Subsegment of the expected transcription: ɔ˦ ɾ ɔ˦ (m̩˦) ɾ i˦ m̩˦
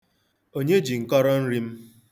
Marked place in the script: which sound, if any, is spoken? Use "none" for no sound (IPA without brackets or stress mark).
n̩˦